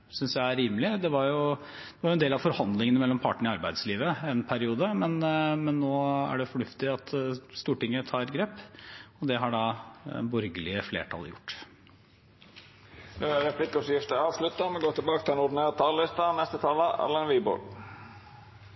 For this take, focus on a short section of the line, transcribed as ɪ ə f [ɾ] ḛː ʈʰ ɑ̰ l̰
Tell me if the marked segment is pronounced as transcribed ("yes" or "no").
no